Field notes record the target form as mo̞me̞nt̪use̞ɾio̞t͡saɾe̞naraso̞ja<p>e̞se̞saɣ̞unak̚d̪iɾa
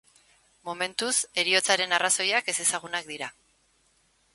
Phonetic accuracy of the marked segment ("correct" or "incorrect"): incorrect